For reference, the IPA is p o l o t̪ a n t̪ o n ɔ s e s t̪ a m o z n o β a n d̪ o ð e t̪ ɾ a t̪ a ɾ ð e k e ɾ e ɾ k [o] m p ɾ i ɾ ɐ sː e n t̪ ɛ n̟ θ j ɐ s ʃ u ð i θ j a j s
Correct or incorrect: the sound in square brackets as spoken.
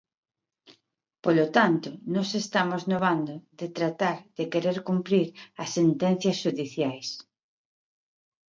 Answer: incorrect: u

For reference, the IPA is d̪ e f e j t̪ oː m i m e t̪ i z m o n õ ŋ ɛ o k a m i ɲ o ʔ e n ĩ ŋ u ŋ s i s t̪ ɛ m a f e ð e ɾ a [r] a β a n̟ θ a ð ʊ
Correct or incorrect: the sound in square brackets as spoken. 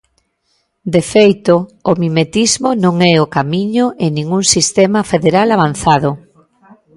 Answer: incorrect: l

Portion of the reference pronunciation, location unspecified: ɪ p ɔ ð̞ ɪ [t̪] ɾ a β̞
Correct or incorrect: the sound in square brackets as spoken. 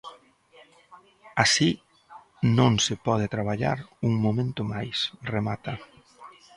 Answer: correct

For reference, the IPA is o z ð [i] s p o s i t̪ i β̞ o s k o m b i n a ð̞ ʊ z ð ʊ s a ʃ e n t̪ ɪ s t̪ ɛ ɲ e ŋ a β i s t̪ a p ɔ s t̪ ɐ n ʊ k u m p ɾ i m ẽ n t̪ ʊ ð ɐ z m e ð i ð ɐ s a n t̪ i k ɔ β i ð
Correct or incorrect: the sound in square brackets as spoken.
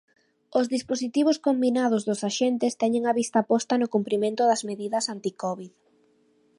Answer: correct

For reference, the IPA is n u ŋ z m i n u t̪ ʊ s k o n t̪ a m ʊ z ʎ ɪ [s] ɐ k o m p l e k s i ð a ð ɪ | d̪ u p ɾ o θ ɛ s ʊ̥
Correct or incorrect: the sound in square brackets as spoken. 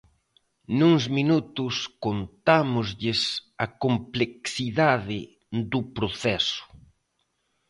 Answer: correct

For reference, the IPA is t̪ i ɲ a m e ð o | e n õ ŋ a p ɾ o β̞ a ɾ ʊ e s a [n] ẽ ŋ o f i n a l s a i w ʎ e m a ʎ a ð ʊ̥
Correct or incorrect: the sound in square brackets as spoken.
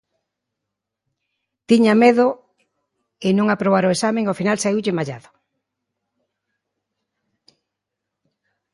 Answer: incorrect: m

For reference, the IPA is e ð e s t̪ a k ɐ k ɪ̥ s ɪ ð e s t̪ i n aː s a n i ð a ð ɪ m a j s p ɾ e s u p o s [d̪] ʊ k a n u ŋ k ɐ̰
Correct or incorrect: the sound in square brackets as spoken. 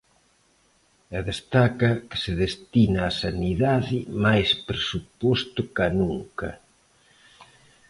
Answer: incorrect: t̪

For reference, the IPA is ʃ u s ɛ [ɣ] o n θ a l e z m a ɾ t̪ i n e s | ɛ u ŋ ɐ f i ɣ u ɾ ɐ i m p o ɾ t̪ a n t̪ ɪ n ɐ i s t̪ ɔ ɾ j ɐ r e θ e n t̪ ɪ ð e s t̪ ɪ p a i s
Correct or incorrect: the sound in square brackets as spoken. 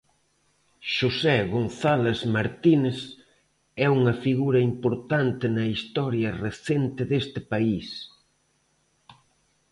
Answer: correct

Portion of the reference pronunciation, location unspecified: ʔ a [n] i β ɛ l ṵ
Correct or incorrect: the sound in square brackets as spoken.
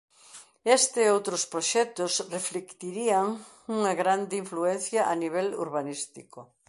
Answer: correct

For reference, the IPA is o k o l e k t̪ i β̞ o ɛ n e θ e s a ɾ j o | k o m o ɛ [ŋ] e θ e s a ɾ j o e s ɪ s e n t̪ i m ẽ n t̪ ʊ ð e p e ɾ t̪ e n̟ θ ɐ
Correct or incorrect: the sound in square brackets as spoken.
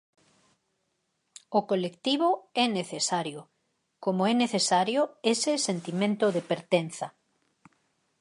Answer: incorrect: n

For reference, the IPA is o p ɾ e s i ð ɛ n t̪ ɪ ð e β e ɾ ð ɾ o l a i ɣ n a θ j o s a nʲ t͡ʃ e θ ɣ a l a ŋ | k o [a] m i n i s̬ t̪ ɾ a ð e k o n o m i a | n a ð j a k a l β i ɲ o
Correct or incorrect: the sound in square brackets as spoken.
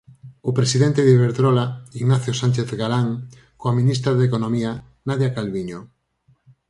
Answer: correct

